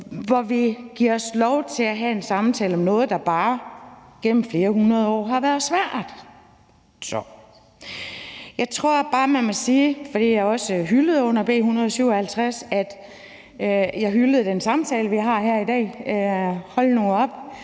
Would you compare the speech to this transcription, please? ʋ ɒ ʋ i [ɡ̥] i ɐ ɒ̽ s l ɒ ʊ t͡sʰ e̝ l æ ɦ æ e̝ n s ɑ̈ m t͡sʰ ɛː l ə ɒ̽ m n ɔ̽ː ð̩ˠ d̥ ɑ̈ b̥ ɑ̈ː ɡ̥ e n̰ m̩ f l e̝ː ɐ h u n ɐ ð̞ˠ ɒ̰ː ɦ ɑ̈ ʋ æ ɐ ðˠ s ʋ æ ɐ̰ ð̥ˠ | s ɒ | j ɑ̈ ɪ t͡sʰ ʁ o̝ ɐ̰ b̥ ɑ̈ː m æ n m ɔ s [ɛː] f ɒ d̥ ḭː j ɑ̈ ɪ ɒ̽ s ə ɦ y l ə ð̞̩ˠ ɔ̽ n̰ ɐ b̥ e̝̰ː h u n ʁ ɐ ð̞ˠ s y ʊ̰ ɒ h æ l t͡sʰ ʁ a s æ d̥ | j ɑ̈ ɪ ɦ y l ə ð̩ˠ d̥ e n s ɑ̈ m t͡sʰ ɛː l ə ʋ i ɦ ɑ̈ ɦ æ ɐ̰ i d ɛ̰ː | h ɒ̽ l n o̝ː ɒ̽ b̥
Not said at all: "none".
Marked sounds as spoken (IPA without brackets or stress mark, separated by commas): ɡ̥, iː